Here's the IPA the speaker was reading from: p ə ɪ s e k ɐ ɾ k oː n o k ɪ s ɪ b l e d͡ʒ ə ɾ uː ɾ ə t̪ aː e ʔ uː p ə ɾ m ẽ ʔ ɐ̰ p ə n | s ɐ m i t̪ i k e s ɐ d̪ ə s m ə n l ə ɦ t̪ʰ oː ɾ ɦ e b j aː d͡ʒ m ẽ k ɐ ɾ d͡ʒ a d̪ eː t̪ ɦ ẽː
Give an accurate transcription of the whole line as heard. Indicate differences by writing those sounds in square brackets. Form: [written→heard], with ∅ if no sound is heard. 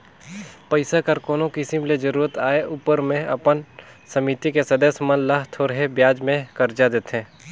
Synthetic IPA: p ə ɪ s [e→a] k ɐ ɾ k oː n o k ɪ s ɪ [b→m] l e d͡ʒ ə ɾ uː ɾ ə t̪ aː e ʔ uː p ə ɾ m ẽ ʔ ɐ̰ p ə n | s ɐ m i t̪ i k e s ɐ d̪ ə s m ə n l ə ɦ t̪ʰ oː ɾ ɦ e b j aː d͡ʒ m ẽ k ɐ ɾ d͡ʒ a d̪ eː t̪ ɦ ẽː